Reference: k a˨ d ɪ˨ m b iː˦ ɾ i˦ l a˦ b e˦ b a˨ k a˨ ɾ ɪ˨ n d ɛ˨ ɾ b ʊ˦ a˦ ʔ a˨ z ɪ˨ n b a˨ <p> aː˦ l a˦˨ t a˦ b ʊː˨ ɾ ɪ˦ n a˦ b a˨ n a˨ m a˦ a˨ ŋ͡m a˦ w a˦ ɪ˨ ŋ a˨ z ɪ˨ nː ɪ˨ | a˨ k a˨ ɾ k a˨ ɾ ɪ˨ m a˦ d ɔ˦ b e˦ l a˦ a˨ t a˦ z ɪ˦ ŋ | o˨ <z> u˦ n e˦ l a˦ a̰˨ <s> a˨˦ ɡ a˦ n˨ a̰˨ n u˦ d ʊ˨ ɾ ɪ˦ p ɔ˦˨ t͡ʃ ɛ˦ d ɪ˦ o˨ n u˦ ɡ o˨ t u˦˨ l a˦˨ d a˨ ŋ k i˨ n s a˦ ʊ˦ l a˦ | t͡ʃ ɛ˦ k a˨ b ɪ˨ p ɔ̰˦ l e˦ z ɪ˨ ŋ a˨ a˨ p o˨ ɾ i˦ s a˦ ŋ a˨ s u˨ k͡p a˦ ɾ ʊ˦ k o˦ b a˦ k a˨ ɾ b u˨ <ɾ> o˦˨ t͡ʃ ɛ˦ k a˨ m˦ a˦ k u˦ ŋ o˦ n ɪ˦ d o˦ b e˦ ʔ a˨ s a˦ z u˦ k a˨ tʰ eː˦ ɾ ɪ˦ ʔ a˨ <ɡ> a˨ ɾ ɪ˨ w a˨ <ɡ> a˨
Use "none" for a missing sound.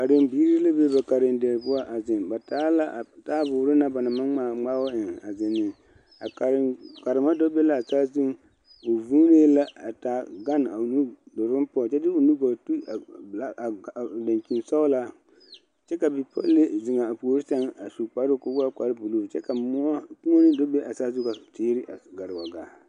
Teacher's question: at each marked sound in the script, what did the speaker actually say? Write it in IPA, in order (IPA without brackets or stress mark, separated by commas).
t, v, t, l, ɡ, ɡ